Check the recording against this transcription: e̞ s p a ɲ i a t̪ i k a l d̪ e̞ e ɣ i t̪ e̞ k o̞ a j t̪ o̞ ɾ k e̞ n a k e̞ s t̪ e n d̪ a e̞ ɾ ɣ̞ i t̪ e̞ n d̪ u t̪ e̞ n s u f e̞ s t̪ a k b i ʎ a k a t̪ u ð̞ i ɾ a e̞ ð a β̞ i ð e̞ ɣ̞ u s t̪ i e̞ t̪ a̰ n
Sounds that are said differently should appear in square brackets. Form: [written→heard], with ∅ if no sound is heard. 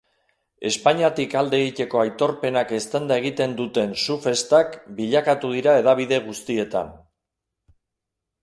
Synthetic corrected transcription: e̞ s p a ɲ i a t̪ i k a l d̪ e̞ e ɣ i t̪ e̞ k o̞ a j t̪ o̞ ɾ [k→p] e̞ n a k e̞ s t̪ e n d̪ a e̞ [ɾ→∅] ɣ̞ i t̪ e̞ n d̪ u t̪ e̞ n s u f e̞ s t̪ a k b i ʎ a k a t̪ u ð̞ i ɾ a e̞ ð a β̞ i ð e̞ ɣ̞ u s t̪ i e̞ t̪ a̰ n